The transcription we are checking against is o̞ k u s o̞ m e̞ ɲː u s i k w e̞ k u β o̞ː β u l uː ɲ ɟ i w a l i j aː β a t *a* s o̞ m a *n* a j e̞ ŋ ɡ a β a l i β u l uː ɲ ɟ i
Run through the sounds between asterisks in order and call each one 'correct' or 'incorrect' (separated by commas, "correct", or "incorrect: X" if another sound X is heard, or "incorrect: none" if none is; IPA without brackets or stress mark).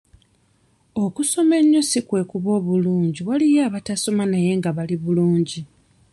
correct, correct